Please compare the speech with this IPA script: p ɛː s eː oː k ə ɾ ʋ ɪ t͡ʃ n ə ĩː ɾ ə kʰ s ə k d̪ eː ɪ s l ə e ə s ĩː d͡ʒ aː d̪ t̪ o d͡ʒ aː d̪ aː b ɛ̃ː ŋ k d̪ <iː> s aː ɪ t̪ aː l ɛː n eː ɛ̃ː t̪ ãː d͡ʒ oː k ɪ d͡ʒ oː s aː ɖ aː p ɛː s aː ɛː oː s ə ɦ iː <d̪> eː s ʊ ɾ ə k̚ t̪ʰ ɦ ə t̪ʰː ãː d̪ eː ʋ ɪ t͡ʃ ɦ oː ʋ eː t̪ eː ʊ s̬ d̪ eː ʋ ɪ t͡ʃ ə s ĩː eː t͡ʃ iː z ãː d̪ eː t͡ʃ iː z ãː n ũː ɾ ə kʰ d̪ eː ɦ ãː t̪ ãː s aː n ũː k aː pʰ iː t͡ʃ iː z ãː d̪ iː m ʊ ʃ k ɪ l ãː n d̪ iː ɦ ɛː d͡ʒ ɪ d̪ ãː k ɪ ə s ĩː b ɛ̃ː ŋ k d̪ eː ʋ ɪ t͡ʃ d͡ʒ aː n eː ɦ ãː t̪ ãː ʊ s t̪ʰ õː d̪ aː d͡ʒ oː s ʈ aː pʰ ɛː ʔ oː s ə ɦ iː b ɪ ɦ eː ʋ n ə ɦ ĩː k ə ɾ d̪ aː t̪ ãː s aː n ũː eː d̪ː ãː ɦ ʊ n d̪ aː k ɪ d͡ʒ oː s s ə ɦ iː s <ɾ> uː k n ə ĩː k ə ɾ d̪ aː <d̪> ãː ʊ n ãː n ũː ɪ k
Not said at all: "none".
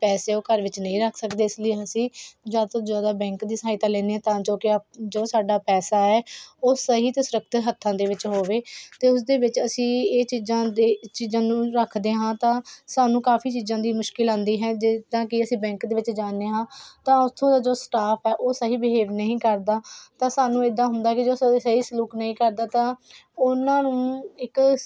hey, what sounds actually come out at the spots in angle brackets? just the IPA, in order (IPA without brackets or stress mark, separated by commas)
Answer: iː, t̪, l, t̪